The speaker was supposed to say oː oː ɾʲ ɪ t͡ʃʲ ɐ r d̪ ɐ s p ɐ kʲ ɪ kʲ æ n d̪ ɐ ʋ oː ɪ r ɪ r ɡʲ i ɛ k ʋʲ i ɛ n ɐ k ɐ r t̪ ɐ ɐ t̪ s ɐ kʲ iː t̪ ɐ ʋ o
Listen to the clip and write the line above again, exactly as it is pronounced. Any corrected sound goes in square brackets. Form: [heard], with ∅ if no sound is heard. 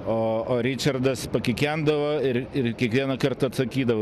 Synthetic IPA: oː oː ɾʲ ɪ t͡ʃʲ ɐ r d̪ ɐ s p ɐ kʲ ɪ kʲ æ n d̪ ɐ ʋ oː ɪ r ɪ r [kʲ] i ɛ k ʋʲ i ɛ n ɐ k ɐ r t̪ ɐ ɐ t̪ s ɐ kʲ iː [d̪] ɐ ʋ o

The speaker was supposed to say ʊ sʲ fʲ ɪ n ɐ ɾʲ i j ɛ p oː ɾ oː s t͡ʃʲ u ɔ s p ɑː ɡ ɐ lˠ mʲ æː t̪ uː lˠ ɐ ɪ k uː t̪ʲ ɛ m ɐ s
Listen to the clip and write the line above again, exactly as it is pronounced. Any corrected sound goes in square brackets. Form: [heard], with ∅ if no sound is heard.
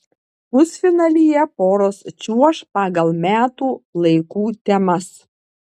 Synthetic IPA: ʊ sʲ fʲ ɪ n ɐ [lʲ] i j ɛ p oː ɾ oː s t͡ʃʲ u ɔ [ʃ] p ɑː ɡ ɐ lˠ mʲ æː t̪ uː lˠ ɐ ɪ k uː t̪ʲ ɛ m ɐ s

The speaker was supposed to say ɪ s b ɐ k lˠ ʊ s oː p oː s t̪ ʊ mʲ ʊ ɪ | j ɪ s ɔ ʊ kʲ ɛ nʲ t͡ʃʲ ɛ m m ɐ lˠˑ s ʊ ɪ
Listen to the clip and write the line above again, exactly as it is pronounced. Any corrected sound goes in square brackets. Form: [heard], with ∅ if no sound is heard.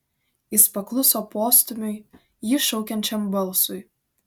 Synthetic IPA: ɪ s [p] ɐ k lˠ ʊ s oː p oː s t̪ ʊ mʲ ʊ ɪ | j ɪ [ʃ] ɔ ʊ kʲ ɛ nʲ t͡ʃʲ ɛ m [b] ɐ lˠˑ s ʊ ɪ

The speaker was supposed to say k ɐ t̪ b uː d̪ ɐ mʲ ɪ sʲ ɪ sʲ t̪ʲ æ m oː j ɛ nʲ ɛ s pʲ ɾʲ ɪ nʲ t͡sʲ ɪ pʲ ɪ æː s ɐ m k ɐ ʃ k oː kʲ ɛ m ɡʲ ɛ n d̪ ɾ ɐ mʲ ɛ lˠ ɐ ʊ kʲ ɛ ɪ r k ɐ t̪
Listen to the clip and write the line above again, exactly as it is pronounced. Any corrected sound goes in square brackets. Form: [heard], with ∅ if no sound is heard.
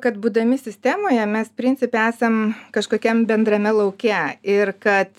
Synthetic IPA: k ɐ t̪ b uː d̪ ɐ mʲ ɪ sʲ ɪ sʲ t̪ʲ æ m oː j ɛ [mʲ] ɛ s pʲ ɾʲ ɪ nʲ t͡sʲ ɪ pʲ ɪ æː s ɐ m k ɐ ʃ k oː kʲ ɛ m [bʲ] ɛ n d̪ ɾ ɐ mʲ ɛ lˠ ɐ ʊ kʲ ɛ ɪ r k ɐ t̪

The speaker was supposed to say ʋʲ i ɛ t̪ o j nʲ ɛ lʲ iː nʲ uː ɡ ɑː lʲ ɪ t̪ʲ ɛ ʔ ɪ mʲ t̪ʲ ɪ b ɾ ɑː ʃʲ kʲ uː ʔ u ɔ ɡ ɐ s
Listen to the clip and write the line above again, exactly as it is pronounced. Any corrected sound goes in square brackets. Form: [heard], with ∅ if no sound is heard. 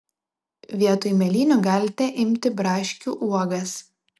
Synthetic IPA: ʋʲ i ɛ t̪ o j [mʲ] ɛ lʲ iː nʲ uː ɡ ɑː lʲ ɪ t̪ʲ ɛ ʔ ɪ mʲ t̪ʲ ɪ b ɾ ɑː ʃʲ kʲ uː ʔ u ɔ ɡ ɐ s

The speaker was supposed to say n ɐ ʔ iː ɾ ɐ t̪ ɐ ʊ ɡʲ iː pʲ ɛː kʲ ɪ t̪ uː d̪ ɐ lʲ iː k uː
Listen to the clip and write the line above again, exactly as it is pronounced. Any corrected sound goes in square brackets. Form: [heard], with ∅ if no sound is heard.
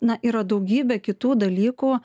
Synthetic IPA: n ɐ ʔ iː ɾ ɐ [d̪] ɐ ʊ ɡʲ iː [bʲ] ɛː kʲ ɪ t̪ uː d̪ ɐ lʲ iː k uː

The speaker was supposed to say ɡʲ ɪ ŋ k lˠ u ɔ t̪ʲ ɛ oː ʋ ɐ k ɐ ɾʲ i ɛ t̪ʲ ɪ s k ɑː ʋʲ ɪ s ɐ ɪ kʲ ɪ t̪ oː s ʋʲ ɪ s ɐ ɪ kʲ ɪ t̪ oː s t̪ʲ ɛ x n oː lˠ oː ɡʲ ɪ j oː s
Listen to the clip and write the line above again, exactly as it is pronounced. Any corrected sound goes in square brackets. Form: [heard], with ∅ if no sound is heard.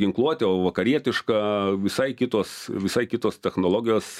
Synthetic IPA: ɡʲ ɪ ŋ k lˠ u ɔ t̪ʲ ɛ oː ʋ ɐ k ɐ ɾʲ i ɛ t̪ʲ ɪ [ʃ] k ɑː ʋʲ ɪ s ɐ ɪ kʲ ɪ t̪ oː s ʋʲ ɪ s ɐ ɪ kʲ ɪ t̪ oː s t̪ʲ ɛ x n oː lˠ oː ɡʲ ɪ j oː s

